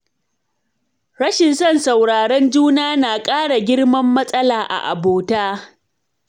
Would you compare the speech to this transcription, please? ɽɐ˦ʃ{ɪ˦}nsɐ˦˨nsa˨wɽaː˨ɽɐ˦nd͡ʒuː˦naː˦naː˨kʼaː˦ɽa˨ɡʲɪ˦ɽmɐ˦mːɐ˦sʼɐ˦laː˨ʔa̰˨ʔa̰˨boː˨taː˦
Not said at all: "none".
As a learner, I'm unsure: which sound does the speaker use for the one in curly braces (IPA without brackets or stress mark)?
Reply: ɪ˨